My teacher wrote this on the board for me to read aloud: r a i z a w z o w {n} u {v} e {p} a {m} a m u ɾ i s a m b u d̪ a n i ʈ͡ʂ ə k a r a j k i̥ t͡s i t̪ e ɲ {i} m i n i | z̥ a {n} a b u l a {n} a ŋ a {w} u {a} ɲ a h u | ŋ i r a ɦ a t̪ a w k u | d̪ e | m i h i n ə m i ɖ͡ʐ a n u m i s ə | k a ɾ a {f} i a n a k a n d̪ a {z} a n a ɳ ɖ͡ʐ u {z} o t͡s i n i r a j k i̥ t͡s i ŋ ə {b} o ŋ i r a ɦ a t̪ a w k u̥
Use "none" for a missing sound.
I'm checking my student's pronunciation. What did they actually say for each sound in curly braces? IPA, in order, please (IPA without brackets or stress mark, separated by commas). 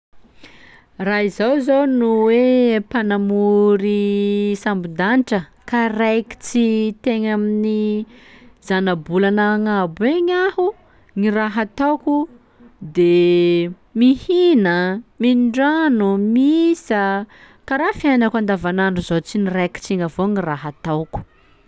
n, w, p, n, a, n, n, b, e, f, v, z, v